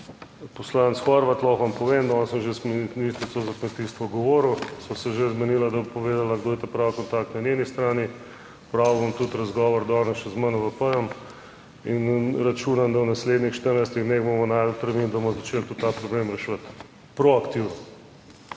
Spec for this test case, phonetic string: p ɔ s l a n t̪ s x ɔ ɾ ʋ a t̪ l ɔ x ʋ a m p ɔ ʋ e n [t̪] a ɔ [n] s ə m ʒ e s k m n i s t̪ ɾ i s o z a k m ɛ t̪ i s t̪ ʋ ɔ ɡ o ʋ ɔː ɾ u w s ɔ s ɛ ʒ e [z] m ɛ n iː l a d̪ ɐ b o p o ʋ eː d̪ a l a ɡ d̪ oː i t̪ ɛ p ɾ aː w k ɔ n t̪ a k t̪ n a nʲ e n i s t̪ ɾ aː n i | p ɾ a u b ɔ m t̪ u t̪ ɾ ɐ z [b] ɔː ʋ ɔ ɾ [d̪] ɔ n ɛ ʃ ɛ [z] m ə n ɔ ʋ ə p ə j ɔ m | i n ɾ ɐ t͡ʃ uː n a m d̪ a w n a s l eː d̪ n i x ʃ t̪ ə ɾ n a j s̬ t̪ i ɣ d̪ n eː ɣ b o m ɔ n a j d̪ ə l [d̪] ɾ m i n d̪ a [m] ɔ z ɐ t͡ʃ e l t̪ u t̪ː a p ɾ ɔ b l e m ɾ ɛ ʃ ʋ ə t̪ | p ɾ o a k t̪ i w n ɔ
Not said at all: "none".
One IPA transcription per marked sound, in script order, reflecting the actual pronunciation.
d̪, n, z, ɡ, d̪, z, t̪, m

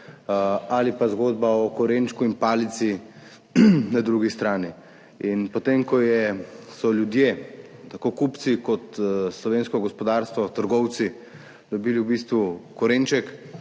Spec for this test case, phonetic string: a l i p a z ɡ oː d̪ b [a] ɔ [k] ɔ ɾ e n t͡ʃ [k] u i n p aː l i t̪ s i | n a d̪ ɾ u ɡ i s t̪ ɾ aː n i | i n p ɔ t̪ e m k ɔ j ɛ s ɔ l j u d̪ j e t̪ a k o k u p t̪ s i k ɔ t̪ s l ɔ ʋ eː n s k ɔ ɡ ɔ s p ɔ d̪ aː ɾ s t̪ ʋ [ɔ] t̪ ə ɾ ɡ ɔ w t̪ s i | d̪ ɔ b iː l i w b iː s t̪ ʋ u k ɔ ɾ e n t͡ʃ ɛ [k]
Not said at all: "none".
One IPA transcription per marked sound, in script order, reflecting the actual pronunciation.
a, k, k, ɔ, k

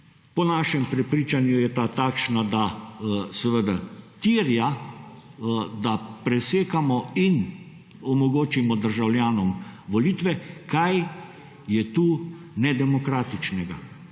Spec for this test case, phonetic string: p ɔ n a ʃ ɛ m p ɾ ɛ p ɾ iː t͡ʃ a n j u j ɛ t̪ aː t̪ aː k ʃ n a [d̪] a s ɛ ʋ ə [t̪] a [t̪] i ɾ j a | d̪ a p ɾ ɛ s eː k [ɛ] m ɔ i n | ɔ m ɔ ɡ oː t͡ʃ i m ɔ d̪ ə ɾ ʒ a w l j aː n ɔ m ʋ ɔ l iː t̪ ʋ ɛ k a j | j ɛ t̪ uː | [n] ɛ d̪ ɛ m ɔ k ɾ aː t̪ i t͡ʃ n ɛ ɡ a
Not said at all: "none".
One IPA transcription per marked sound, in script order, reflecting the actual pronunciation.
d̪, d̪, t̪, a, n

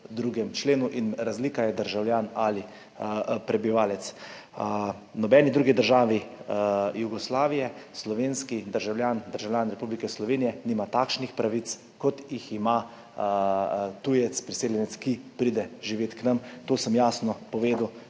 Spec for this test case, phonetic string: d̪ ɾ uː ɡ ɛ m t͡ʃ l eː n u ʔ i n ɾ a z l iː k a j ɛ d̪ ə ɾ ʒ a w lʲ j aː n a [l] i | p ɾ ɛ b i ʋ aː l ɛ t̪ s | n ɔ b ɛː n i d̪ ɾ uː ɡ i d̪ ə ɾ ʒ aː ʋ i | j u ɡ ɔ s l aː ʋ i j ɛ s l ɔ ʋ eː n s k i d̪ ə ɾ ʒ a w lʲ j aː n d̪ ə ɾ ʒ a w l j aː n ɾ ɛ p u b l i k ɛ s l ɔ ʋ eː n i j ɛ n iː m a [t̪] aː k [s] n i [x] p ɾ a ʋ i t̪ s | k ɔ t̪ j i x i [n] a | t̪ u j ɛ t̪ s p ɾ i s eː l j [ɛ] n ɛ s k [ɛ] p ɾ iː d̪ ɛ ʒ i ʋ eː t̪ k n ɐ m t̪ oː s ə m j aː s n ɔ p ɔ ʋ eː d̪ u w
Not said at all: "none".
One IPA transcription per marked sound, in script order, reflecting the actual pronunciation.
l, t̪, ʃ, x, m, ɛ, i

